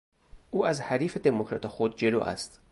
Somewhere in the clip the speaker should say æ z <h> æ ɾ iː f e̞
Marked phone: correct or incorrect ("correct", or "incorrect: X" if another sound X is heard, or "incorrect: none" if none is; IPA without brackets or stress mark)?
correct